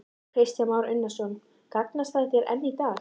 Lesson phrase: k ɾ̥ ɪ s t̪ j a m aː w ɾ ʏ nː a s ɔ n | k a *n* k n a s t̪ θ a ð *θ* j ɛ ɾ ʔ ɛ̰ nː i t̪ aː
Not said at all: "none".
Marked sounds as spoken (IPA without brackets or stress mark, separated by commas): none, θ